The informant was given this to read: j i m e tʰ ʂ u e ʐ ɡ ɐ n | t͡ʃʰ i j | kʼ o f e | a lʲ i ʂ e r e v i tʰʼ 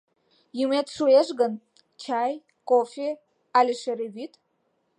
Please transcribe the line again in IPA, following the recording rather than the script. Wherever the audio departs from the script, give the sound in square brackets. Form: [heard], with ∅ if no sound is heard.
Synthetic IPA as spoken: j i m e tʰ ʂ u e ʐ ɡ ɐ n | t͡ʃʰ [a] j | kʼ o f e | a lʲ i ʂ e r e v i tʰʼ